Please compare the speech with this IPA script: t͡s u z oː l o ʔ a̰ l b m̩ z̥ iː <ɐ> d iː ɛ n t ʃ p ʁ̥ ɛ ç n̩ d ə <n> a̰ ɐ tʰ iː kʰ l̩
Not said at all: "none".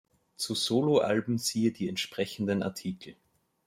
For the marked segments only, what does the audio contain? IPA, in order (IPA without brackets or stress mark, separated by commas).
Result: ə, n